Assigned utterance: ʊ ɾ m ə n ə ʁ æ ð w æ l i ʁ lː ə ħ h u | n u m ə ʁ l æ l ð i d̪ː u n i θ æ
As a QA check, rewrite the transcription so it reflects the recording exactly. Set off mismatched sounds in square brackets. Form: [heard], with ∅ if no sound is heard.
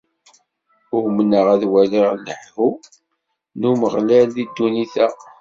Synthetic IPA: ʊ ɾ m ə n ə ʁ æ ð w æ l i ʁ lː ə ħ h u | n u m ə ʁ l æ l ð i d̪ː u n i θ æ